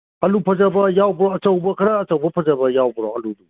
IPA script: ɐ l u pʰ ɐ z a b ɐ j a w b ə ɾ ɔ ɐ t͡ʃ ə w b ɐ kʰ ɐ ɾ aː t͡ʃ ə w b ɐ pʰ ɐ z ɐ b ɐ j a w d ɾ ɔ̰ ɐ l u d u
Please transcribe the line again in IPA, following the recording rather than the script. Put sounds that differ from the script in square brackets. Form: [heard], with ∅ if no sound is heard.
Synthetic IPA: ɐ l u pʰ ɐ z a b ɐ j a w b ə ɾ ɔ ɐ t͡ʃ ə w b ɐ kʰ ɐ ɾ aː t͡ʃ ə w b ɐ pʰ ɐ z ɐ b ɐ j a w [b] ɾ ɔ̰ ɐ l u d u